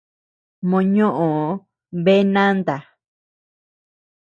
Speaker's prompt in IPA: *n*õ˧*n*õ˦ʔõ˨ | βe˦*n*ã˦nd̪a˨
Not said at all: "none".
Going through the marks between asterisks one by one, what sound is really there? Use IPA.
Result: m, ɲ, n

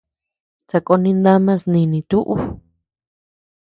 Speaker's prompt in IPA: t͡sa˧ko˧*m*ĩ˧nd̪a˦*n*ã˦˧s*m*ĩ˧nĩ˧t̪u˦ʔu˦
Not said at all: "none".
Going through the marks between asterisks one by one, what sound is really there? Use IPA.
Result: n, m, n

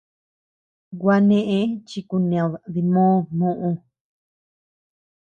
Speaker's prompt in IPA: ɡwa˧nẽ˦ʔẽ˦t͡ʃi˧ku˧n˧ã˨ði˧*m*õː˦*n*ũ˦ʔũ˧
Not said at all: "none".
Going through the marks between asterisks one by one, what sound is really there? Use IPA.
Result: m, n

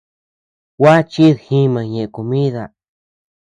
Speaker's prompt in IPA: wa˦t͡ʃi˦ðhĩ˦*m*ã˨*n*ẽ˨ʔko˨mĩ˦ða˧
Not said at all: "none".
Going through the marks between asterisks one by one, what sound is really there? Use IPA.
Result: m, ɲ

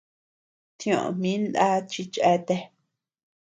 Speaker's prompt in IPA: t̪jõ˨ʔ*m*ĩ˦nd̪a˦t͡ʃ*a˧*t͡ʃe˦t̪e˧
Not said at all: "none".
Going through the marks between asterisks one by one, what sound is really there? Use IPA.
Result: m, i˧

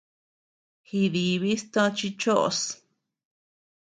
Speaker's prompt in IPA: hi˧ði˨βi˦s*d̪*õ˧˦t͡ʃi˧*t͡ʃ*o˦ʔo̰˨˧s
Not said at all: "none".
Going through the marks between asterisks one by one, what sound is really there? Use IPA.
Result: t̪, t͡ʃ

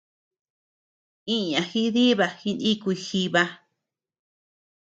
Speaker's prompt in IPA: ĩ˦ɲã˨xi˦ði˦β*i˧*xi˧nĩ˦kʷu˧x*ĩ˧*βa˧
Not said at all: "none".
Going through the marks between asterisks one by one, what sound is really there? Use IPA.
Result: a˧, i˧

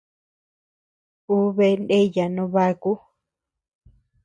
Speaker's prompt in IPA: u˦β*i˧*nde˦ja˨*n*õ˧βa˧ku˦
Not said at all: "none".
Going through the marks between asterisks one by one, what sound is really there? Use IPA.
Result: e˧, n

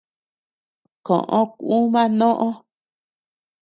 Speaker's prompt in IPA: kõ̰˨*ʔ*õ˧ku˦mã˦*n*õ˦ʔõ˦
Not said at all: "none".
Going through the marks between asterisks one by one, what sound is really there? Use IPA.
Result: ʔ, n

